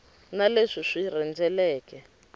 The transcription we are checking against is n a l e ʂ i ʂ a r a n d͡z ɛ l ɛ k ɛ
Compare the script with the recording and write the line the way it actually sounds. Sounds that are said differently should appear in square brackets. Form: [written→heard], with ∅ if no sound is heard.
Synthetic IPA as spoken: n a l e ʂ i ʂ [a→i] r [a→ɛ] n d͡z ɛ l [ɛ→ɛː] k ɛ